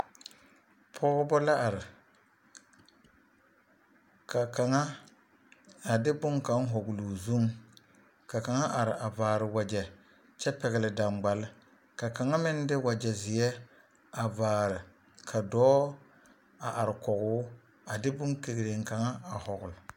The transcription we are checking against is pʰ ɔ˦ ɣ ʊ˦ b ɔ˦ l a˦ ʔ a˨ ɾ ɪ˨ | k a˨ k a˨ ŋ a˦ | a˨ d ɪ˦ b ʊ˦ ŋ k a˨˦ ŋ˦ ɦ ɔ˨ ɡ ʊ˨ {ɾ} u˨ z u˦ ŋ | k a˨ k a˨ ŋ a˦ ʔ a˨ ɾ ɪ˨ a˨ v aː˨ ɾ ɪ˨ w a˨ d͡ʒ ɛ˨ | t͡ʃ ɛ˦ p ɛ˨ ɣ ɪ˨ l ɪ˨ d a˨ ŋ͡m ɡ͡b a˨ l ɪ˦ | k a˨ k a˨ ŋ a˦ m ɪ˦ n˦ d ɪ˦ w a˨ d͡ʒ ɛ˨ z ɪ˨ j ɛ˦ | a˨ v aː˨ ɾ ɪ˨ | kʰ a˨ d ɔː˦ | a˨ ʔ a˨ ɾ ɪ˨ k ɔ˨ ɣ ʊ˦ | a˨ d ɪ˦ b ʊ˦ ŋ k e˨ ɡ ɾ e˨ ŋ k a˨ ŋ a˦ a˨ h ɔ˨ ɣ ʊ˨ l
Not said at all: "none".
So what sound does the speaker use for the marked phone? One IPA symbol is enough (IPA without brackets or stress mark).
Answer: l